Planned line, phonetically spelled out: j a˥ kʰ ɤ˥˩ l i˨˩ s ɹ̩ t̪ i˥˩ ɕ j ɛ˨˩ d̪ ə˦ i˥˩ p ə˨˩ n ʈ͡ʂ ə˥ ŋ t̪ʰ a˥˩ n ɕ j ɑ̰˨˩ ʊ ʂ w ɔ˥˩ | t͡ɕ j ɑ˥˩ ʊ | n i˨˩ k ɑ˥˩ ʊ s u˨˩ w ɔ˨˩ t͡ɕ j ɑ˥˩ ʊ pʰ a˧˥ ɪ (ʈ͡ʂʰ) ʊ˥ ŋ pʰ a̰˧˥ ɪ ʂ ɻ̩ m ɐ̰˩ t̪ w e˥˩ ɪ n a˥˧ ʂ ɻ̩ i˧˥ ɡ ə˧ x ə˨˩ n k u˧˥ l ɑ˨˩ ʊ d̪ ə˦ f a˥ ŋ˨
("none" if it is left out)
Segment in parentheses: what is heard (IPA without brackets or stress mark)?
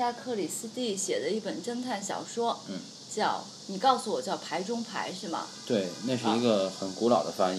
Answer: ʈ͡ʂ